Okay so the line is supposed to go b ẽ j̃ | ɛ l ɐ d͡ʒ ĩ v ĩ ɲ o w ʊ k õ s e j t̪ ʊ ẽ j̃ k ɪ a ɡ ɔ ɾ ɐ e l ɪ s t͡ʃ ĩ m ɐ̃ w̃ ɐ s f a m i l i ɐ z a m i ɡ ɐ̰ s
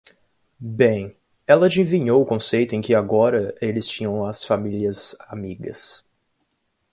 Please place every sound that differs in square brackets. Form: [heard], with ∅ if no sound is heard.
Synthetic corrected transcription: b ẽ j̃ | ɛ l ɐ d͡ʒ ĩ v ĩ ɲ o w ʊ k õ s e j t̪ ʊ ẽ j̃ k ɪ a ɡ ɔ ɾ ɐ e l ɪ s t͡ʃ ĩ [ɲ] ɐ̃ w̃ ɐ s f a m i l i ɐ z a m i ɡ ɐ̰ s